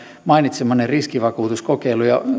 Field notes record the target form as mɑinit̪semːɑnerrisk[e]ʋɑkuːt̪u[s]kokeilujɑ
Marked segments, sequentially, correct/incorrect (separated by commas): incorrect, correct